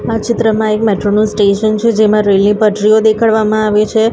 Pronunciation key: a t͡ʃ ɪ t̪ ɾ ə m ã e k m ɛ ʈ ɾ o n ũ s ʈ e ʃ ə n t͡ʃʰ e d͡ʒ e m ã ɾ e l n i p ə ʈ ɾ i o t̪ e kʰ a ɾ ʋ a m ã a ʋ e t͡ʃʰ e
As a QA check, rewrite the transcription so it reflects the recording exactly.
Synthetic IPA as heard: a t͡ʃ ɪ t̪ ɾ ə m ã e k m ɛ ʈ ɾ o n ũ s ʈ e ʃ ə n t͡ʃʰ e d͡ʒ e m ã ɾ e l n i p ə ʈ ɾ i o d̪ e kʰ a ɭ ʋ a m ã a ʋ e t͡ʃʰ e